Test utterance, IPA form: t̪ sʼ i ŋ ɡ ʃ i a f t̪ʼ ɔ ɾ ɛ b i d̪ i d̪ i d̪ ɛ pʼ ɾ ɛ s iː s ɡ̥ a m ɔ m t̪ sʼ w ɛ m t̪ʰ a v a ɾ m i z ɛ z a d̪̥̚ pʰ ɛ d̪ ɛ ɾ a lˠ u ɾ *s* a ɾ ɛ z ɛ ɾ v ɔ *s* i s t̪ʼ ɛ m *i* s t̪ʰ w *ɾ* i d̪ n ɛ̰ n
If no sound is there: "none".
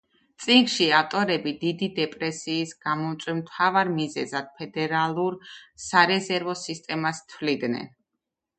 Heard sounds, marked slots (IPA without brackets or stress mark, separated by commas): s, s, a, l